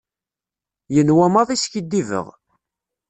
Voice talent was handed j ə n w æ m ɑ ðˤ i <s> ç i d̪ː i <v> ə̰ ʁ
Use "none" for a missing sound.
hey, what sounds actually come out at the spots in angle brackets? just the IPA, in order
s, v

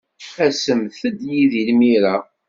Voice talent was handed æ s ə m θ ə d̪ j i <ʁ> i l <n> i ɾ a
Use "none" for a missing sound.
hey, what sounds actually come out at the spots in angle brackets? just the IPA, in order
ð, m

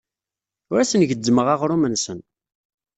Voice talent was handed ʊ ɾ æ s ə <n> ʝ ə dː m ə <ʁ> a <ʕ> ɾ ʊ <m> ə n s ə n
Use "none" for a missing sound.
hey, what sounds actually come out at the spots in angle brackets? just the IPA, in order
n, ʁ, ʁ, m

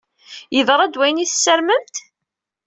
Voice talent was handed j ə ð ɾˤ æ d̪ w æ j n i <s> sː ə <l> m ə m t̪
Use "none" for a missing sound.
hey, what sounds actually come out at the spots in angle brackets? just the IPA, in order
θ, ɾ

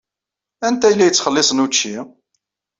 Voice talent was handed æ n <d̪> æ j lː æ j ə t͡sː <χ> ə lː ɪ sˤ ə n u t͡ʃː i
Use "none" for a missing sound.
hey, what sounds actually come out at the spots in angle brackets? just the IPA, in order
t̪, χ

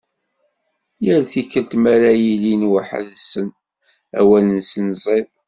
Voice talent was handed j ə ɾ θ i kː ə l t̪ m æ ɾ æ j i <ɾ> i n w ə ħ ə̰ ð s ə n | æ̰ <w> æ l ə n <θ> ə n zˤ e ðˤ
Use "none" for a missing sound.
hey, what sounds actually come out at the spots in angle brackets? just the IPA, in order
l, w, s

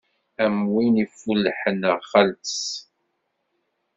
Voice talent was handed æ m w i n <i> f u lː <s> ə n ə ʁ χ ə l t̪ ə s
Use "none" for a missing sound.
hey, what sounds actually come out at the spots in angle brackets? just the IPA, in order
i, ħ

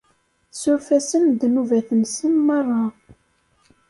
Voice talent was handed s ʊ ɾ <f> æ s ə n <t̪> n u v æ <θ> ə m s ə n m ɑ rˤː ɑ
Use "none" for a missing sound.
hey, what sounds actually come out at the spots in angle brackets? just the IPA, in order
f, d̪, θ

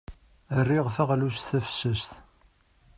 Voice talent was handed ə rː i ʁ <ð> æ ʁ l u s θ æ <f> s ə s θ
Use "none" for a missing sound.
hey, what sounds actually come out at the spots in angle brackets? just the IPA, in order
θ, f

